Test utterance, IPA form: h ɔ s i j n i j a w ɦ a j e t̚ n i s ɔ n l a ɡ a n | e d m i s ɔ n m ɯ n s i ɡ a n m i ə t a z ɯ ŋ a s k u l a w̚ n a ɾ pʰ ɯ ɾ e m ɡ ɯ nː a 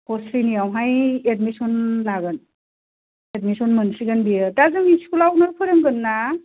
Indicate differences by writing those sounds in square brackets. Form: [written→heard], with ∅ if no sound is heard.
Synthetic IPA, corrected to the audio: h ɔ s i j n i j a w ɦ a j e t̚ [n→m] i s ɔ n l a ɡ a n | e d m i s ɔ n m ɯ n s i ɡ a n [m→b] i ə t a z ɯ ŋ [a→i] s k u l a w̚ n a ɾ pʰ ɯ ɾ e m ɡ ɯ nː a